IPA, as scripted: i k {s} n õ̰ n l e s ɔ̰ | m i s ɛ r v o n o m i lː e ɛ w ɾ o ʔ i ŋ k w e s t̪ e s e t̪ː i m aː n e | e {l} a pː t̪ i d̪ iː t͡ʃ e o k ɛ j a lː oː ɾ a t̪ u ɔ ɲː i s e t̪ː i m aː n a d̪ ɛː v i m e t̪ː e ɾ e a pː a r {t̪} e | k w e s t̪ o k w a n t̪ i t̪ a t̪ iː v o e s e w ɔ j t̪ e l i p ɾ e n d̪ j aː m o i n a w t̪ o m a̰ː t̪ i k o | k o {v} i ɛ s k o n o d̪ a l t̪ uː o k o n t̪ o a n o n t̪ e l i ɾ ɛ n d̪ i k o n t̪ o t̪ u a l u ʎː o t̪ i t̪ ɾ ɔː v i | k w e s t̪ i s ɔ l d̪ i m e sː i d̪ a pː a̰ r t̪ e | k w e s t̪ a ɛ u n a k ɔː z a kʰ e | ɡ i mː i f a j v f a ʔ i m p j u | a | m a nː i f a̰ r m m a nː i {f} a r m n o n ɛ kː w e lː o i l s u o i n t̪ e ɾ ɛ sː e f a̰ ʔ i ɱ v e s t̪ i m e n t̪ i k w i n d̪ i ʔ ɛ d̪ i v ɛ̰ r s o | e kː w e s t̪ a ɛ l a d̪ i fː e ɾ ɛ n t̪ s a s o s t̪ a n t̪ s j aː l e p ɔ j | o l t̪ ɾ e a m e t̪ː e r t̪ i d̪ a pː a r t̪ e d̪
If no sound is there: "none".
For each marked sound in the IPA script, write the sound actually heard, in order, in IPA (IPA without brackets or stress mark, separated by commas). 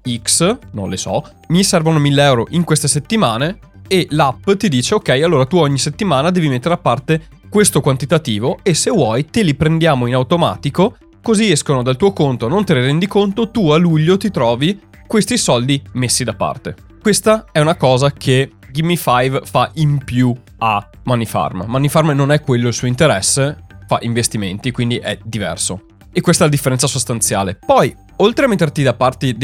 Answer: s, l, t̪, z, f